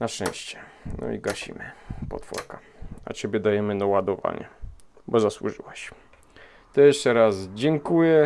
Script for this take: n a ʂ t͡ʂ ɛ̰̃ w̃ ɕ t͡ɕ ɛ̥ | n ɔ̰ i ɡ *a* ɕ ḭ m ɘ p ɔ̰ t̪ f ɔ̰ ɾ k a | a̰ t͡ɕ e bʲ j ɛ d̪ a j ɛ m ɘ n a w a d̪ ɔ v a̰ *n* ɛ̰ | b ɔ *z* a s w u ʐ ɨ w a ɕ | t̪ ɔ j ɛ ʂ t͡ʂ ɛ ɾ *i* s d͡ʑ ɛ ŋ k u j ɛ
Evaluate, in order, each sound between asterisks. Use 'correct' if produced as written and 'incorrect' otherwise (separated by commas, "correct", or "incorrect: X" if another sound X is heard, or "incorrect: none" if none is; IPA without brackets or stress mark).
correct, incorrect: ɲ, correct, incorrect: a